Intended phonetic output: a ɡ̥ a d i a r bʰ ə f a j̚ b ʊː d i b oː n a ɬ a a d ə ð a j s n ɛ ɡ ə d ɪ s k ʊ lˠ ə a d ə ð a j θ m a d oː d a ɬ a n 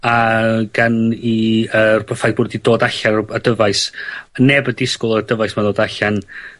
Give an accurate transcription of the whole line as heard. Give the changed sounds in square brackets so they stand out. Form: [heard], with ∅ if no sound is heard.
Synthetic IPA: a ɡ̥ a [n] i [ə] r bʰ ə f a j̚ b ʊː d i [d] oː [d] a ɬ a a d ə [v] a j s n ɛ [b] ə d ɪ s k ʊ lˠ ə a d ə [v] a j [s] m a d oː d a ɬ a n